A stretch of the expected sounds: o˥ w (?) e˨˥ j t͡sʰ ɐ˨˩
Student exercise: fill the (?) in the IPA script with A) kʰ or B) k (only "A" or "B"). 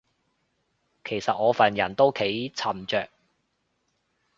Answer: A